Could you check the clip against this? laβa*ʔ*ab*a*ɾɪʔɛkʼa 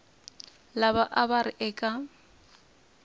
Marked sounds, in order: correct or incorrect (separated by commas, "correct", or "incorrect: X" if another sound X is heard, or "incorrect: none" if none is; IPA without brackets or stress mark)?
correct, correct